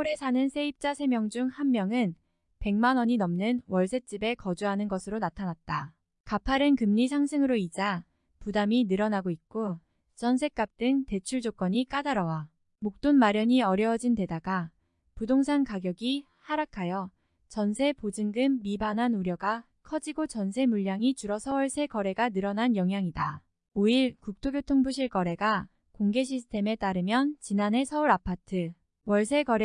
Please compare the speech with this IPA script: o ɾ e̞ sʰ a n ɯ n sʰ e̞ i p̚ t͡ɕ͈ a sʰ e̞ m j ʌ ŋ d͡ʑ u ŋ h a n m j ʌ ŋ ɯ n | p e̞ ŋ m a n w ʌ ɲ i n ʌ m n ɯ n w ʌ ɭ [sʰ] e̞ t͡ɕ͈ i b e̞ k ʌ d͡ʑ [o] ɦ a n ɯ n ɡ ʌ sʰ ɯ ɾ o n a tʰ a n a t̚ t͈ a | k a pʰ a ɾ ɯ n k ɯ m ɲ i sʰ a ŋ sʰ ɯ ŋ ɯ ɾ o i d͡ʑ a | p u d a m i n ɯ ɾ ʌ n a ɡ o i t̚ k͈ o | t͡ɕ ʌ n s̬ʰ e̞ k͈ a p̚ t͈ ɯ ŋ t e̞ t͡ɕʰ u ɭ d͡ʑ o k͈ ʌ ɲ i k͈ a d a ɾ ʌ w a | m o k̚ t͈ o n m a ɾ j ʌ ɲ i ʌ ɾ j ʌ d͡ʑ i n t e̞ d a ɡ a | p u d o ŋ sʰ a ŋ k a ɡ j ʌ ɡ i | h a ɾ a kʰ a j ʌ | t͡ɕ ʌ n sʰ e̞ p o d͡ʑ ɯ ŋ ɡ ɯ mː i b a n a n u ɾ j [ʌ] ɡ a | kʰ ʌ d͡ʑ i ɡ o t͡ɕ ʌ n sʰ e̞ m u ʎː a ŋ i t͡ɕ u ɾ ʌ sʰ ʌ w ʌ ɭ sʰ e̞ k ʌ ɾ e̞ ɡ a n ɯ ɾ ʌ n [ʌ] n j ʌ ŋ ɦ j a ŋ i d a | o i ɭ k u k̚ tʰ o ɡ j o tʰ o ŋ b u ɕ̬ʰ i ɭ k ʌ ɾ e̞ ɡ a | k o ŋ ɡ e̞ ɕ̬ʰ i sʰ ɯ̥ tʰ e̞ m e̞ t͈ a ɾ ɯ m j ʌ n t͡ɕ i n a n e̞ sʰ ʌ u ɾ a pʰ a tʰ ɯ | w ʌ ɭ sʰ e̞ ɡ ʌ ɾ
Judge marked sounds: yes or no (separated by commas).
yes, no, yes, no